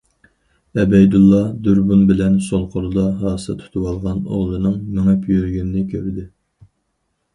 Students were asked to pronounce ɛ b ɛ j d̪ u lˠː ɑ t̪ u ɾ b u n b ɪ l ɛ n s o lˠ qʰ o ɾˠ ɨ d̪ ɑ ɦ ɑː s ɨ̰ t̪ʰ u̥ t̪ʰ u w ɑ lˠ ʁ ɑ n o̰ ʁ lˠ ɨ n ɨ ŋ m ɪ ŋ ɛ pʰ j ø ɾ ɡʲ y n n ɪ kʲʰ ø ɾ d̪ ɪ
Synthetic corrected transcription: ɛ b ɛ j d̪ u lˠː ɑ d̪ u ɾ b u n b ɪ l ɛ n s o lˠ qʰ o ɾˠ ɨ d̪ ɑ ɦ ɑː s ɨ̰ t̪ʰ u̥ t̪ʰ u w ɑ lˠ ʁ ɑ n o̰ ʁ lˠ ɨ n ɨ ŋ m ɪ ŋ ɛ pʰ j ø ɾ ɡʲ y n n ɪ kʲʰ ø ɾ d̪ ɪ

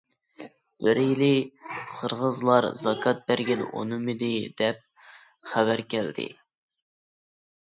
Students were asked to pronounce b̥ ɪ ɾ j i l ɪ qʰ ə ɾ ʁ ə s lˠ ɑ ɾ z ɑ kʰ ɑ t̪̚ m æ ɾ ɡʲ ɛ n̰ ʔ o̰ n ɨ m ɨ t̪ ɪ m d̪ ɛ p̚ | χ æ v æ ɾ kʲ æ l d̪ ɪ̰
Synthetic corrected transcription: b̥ ɪ ɾ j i l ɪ qʰ ə ɾ ʁ ə z lˠ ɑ ɾ z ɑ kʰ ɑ t̪̚ b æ ɾ ɡʲ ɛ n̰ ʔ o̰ n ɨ m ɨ d̪ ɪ d̪ ɛ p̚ | χ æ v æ ɾ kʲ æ l d̪ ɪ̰

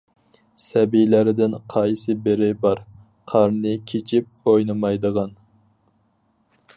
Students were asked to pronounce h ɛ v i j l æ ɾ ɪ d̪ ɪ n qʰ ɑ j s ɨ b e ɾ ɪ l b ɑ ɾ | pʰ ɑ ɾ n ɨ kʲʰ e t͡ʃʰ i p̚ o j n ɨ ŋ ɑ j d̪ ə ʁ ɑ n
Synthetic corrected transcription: s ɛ b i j l æ ɾ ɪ d̪ ɪ n qʰ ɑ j s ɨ b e ɾ ɪ b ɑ ɾ | qʰ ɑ ɾ n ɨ kʲʰ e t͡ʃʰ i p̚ o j n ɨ m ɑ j d̪ ə ʁ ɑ n

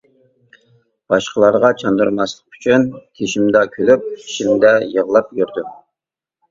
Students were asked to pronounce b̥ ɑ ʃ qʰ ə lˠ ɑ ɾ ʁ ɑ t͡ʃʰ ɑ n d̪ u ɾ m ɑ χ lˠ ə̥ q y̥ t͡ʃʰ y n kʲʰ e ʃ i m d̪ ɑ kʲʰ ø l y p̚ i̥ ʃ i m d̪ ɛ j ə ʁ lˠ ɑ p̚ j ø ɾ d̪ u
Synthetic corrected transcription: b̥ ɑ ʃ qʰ ə lˠ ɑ ɾ ʁ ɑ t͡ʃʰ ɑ n d̪ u ɾ m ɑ s lˠ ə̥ q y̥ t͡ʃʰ y n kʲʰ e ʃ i m d̪ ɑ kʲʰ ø l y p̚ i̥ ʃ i m d̪ ɛ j ə ʁ lˠ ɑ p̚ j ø ɾ d̪ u

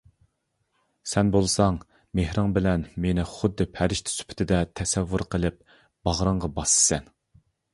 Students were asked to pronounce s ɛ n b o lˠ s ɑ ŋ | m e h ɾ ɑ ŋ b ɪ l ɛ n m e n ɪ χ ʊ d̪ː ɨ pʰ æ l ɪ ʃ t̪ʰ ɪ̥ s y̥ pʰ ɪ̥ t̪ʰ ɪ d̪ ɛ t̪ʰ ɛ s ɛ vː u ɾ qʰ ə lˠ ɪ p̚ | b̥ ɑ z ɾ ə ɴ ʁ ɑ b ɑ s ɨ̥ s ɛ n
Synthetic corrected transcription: s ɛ n b o lˠ s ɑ ŋ | m e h ɾ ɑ ŋ b ɪ l ɛ n m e n ɪ χ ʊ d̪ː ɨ pʰ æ ɾ ɪ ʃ t̪ʰ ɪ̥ s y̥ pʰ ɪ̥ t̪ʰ ɪ d̪ ɛ t̪ʰ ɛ s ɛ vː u ɾ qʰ ə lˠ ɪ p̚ | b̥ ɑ ʁ ɾ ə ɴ ʁ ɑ b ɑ s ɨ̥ s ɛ n

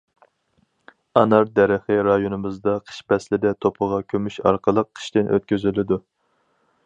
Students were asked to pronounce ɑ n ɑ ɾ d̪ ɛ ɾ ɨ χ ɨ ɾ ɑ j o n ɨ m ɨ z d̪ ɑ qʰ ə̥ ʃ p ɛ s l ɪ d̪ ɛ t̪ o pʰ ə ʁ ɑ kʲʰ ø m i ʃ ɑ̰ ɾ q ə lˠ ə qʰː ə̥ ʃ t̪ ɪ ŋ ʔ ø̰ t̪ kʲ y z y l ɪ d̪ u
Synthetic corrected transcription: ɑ n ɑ ɾ d̪ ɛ ɾ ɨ χ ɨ ɾ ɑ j o n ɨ m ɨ z d̪ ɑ qʰ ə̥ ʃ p ɛ s l ɪ d̪ ɛ t̪ʰ o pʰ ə ʁ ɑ kʲʰ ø m y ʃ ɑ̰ ɾ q ə lˠ ə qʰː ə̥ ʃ t̪ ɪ n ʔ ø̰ t̪ kʲ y z y l ɪ d̪ u

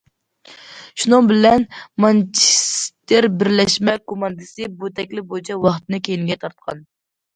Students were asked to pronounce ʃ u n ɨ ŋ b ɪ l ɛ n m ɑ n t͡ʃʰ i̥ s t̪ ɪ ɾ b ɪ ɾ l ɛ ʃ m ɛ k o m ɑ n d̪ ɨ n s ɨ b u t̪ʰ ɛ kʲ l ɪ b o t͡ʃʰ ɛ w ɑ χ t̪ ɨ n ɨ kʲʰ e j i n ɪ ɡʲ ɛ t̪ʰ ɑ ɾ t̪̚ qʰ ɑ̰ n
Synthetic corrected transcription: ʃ u n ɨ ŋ b ɪ l ɛ n m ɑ n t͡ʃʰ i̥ s t̪ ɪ ɾ b ɪ ɾ l ɛ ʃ m ɛ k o m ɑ n d̪ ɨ s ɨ b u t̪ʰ ɛ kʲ l ɪ b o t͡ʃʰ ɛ w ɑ χ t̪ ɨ n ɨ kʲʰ e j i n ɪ ɡʲ ɛ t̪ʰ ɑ ɾ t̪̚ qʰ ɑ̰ n

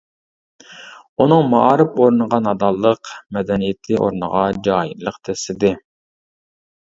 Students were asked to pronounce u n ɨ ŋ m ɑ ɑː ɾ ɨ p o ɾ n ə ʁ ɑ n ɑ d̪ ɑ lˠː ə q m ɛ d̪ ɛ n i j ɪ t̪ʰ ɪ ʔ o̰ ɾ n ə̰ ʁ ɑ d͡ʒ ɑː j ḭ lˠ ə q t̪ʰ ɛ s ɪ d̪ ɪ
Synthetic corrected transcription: u n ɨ ŋ m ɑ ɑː ɾ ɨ p o ɾ n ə ʁ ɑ n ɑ d̪ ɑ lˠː ə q m ɛ d̪ ɛ n i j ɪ t̪ʰ ɪ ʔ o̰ ɾ n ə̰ ʁ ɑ d͡ʒ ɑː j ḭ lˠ ə q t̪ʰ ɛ s ɪ d̪ ɪ

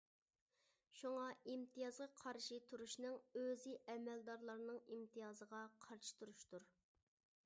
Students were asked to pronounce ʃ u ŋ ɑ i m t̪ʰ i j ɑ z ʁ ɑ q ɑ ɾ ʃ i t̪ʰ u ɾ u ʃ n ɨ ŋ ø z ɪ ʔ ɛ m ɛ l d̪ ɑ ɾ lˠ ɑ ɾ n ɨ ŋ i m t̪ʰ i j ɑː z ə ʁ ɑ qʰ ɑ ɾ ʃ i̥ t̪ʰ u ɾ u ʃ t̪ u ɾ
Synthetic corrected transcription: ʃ u ŋ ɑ i m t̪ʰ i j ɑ z ʁ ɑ qʰ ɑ ɾ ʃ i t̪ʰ u ɾ u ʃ n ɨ ŋ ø z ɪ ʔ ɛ m ɛ l d̪ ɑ ɾ lˠ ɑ ɾ n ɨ ŋ i m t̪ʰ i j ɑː z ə ʁ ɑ qʰ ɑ ɾ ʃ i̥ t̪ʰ u ɾ u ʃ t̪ u ɾ

